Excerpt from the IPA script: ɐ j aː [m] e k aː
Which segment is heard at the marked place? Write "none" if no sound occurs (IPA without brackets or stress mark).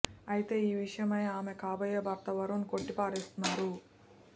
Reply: m